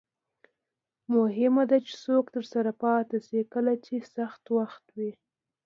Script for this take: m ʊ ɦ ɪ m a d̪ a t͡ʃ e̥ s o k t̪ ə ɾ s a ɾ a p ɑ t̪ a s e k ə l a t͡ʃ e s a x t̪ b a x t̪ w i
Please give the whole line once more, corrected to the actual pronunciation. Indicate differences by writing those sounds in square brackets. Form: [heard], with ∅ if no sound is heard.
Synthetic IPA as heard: m ʊ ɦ ɪ m a d̪ a t͡ʃ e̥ s o k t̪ ə ɾ s a ɾ a p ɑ t̪ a s e k ə l a t͡ʃ e s a x t̪ [w] a x t̪ w i

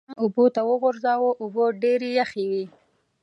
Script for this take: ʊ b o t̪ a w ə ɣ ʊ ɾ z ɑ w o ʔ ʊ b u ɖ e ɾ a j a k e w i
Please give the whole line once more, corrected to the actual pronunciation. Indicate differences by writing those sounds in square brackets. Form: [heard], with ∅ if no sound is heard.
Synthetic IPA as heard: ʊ b o t̪ a w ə ɣ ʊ ɾ z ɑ w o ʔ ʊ b [o] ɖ e ɾ [e] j a [x] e w i

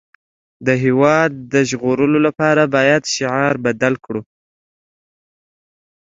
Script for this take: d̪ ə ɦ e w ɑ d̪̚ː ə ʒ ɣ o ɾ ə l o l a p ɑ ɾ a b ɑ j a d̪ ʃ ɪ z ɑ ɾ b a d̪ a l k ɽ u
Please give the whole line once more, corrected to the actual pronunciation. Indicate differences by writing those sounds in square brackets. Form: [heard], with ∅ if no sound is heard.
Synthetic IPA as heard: d̪ ə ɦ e w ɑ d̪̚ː ə ʒ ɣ o ɾ ə l o l a p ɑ ɾ a b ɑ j a d̪ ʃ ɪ [ʕ] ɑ ɾ b a d̪ a l k ɽ u

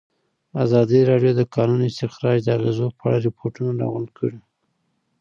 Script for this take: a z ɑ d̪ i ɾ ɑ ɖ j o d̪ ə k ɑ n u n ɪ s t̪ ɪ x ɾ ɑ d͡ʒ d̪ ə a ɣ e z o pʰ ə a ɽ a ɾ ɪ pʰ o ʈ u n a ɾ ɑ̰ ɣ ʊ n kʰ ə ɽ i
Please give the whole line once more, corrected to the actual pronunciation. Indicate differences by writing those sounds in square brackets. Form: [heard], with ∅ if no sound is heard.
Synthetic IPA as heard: a z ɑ d̪ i ɾ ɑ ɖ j o d̪ ə k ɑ n u n ɪ s t̪ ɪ x ɾ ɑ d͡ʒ d̪ ə a ɣ e z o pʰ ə a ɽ a ɾ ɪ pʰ o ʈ u n a ɾ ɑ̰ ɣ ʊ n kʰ ə ɽ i

